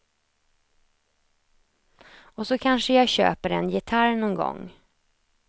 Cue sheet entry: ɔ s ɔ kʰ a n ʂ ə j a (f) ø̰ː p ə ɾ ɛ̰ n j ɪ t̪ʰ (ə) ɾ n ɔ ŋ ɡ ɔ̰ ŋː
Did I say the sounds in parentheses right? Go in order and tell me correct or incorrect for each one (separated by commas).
incorrect, incorrect